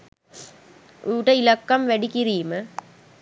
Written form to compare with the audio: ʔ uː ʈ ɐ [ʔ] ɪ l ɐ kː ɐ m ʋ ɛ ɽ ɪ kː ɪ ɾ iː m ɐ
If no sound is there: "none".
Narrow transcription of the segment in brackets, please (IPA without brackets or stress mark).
none